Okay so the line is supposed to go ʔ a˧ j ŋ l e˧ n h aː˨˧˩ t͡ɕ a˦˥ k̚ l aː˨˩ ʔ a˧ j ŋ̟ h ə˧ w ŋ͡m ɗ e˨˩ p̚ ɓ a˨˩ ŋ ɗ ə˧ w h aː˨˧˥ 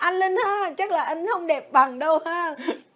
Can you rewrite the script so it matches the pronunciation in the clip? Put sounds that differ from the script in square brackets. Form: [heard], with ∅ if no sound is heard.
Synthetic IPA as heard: ʔ a˧ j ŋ l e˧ n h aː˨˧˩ t͡ɕ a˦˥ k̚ l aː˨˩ ʔ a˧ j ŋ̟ h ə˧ w ŋ͡m ɗ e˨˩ p̚ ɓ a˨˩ ŋ ɗ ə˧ w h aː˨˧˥